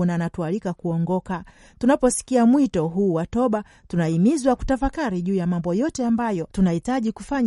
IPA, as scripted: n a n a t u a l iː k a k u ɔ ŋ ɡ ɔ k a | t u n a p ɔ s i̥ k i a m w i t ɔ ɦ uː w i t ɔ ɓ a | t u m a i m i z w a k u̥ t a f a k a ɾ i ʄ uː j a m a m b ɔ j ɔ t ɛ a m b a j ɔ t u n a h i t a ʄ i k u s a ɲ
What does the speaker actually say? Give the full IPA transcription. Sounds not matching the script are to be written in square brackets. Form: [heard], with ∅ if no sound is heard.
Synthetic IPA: n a n a t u a l [i] k a k u ɔ ŋ ɡ ɔ k a | t u n a p ɔ s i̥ k i a m w i t ɔ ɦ uː w [a] t ɔ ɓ a | t u [n] a i m i z w a k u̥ t a f a k a ɾ i ʄ uː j a m a m b ɔ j ɔ t ɛ a m b a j ɔ t u n a h i t a ʄ i k u [f] a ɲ